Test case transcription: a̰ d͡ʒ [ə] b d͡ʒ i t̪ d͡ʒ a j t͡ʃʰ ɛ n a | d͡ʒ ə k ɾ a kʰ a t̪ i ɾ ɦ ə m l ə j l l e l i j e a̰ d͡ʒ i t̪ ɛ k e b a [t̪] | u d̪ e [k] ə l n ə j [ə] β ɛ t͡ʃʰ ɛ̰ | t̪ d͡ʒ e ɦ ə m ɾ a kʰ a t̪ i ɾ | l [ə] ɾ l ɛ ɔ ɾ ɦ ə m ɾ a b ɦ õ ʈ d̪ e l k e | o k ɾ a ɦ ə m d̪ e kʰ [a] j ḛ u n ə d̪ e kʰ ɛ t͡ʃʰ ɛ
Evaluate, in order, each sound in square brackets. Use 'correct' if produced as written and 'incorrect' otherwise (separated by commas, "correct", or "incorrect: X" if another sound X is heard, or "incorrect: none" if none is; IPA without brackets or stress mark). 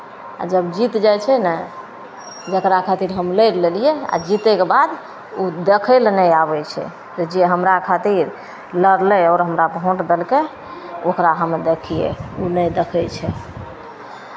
correct, incorrect: d̪, incorrect: kʰ, incorrect: a, correct, incorrect: i